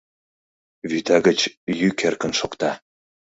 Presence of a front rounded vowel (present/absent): present